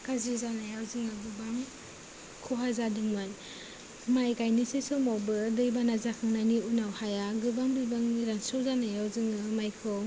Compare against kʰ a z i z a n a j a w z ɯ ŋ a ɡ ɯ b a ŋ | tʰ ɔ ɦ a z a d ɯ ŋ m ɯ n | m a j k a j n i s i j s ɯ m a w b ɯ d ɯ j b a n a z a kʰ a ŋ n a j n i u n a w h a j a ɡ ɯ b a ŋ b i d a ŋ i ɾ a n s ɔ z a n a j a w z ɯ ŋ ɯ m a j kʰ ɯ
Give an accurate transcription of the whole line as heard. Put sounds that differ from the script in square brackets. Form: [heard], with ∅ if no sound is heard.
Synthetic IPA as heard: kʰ a z i z a n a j a w z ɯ ŋ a ɡ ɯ b a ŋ | [kʰ] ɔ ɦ a z a d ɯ ŋ m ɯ n | m a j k a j n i s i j s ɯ m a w b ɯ d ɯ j b a n a z a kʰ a ŋ n a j n i u n a w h a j a ɡ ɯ b a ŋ b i [b] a ŋ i ɾ a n s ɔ z a n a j a w z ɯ ŋ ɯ m a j kʰ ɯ